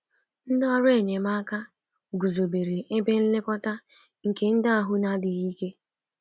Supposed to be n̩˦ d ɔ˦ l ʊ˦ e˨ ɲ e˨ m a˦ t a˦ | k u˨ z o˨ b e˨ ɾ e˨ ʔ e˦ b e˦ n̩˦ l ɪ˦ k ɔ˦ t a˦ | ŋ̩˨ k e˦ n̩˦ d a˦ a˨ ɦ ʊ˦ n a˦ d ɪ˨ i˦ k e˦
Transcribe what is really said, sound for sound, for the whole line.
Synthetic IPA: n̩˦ d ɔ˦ ɾ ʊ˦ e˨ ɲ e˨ m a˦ k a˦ | ɡ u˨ z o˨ b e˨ ɾ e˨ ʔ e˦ b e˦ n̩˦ l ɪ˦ k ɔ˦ t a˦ | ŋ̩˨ k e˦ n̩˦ d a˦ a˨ ɦ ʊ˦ n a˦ d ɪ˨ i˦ k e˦